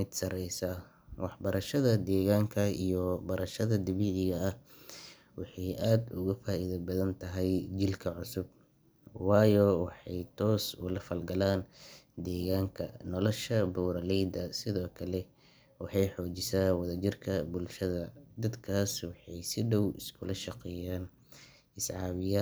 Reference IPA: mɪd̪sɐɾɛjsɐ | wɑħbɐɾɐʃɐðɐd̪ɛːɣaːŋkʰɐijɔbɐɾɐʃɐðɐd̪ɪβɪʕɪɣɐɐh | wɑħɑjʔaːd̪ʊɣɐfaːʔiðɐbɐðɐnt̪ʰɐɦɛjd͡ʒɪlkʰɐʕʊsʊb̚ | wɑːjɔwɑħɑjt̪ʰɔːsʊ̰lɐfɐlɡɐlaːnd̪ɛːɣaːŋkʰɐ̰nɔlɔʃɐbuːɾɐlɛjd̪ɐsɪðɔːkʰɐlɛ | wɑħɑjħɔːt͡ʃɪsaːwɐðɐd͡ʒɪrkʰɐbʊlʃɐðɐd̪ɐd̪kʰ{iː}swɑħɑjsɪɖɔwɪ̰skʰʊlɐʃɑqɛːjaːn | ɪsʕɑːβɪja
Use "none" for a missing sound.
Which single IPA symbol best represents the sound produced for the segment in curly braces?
aː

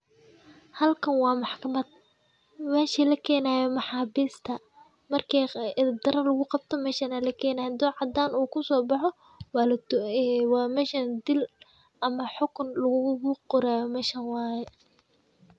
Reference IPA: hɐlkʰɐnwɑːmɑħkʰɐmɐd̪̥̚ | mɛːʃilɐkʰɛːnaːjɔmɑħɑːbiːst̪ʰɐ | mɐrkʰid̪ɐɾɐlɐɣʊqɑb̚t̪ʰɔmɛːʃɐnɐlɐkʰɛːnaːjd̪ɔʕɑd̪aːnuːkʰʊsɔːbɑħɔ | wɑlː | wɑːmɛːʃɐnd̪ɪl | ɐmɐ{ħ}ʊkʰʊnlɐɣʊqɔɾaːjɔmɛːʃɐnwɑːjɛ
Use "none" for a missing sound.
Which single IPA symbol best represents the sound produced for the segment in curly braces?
ħ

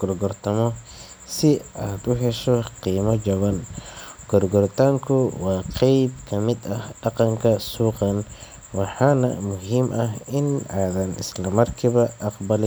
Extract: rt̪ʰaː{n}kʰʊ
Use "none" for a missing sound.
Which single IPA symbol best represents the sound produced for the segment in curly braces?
ŋ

